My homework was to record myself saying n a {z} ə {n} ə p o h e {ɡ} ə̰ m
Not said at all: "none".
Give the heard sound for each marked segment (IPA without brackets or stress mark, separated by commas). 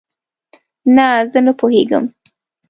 z, n, ɡ